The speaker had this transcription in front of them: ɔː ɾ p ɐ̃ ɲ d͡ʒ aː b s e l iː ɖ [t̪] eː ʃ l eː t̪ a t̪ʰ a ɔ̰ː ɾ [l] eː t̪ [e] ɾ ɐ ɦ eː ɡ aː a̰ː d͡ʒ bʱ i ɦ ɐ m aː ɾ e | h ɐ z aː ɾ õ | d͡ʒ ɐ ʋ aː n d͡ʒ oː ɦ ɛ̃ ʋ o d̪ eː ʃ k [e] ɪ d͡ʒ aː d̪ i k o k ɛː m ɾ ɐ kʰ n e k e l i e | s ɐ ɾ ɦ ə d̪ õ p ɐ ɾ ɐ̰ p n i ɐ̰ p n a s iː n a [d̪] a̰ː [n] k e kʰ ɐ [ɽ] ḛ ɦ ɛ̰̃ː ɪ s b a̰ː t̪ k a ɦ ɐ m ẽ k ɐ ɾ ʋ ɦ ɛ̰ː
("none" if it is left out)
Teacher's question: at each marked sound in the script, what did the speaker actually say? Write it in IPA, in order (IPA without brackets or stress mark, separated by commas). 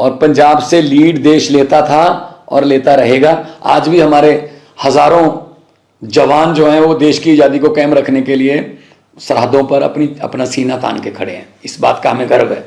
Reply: d̪, l, a, i, t̪, n, ɽ